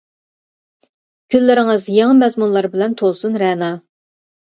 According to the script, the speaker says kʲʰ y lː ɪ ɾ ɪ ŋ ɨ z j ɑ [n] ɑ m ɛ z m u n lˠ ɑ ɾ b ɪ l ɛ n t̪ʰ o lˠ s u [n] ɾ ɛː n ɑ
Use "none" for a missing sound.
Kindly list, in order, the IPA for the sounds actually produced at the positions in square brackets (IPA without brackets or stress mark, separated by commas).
ŋ, n